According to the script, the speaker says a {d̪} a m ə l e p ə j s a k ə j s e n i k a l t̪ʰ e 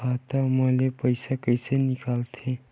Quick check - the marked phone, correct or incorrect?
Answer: incorrect